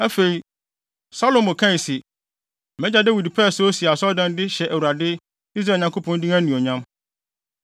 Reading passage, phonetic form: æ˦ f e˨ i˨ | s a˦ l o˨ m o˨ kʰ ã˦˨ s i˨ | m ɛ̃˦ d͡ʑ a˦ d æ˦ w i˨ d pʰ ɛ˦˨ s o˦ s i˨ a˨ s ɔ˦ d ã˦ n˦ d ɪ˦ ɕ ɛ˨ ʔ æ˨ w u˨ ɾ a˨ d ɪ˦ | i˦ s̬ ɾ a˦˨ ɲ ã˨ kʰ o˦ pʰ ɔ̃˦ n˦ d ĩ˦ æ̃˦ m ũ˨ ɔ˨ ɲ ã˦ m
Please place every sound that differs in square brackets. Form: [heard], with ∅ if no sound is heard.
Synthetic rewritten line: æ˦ f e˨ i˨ | s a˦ l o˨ m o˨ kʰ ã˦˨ s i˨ | m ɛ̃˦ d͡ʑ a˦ d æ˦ w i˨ d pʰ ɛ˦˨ s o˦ s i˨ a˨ s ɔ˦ d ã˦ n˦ d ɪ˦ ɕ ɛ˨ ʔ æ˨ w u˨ ɾ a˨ d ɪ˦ | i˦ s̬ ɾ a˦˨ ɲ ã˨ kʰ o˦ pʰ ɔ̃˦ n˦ d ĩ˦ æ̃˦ [n] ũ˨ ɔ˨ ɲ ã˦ m